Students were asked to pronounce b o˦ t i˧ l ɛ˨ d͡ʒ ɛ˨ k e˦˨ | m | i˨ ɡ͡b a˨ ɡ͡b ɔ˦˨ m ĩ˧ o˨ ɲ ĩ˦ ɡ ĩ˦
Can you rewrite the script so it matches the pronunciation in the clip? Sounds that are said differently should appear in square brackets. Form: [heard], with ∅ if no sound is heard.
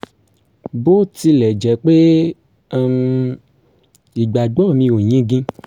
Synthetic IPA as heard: b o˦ t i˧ l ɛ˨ d͡ʒ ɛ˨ [k͡p] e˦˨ | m | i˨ ɡ͡b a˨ ɡ͡b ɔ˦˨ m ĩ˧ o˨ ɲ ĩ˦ ɡ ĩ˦